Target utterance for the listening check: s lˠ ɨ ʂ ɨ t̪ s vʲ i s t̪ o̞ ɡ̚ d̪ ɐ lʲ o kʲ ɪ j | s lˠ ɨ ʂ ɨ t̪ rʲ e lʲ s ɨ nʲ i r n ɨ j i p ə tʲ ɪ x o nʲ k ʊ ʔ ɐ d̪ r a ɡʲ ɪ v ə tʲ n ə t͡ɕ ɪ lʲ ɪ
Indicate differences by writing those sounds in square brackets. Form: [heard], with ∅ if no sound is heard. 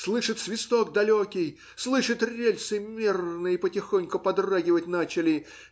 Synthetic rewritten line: s lˠ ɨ ʂ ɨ t̪ s vʲ [ɪ] s t̪ o̞ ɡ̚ d̪ ɐ lʲ o kʲ ɪ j | s lˠ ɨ ʂ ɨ t̪ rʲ e lʲ s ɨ [mʲ] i r n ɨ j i p ə tʲ ɪ x o nʲ k ʊ [p] ɐ d̪ r a ɡʲ ɪ v ə tʲ n [a] t͡ɕ ɪ lʲ ɪ